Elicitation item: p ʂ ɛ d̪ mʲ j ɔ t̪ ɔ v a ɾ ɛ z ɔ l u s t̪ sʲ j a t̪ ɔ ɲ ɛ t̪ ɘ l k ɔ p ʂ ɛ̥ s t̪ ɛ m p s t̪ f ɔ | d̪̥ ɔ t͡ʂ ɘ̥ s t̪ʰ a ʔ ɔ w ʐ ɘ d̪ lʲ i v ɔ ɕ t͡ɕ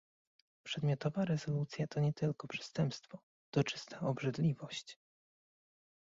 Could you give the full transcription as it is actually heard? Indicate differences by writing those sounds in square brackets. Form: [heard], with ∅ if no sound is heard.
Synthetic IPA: p ʂ ɛ d̪ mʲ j ɔ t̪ ɔ v a ɾ ɛ z ɔ l u [∅] t̪ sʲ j a t̪ ɔ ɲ ɛ t̪ ɘ l k ɔ p ʂ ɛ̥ s t̪ ɛ m p s t̪ f ɔ | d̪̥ ɔ t͡ʂ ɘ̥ s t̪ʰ a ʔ ɔ [b] ʐ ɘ d̪ lʲ i v ɔ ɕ t͡ɕ